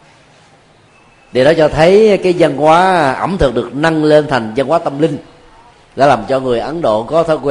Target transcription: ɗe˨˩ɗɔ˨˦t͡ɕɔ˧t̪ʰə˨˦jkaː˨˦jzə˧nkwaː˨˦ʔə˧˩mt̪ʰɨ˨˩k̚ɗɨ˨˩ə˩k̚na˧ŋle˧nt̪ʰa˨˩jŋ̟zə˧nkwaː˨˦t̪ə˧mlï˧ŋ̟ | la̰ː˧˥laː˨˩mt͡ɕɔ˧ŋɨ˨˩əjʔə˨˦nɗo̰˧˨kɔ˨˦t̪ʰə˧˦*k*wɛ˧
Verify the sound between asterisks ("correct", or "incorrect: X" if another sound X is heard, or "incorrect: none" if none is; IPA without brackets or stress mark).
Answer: correct